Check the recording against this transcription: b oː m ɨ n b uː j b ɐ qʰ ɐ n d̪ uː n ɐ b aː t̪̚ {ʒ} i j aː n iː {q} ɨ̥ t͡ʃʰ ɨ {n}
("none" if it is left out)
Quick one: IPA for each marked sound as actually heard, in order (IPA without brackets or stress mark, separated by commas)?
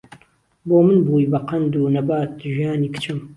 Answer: ʒ, k, m